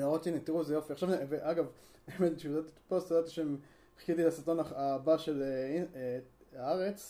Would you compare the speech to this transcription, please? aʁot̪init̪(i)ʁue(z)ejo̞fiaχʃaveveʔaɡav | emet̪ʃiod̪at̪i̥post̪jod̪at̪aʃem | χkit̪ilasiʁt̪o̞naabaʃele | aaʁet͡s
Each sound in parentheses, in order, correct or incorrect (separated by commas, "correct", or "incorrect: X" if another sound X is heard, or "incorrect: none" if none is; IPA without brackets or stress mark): correct, correct